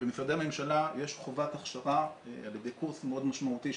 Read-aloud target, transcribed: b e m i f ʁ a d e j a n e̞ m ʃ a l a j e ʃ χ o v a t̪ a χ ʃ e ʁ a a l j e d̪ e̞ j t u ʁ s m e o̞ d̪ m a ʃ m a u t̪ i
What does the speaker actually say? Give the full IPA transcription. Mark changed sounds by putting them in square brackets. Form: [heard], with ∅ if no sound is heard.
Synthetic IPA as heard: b e m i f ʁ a d e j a [m] e̞ m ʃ a l a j e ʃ χ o v a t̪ a χ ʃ [a] ʁ a a l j e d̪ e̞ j [k] u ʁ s m e o̞ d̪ m a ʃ m a u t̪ i